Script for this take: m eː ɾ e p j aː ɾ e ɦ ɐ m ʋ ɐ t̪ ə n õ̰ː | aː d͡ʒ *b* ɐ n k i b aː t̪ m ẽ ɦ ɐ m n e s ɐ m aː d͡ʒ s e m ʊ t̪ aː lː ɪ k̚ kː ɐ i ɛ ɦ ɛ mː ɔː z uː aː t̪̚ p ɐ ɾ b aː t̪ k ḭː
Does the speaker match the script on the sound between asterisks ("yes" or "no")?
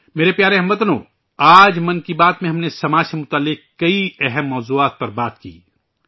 no